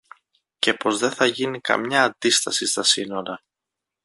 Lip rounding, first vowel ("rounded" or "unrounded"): unrounded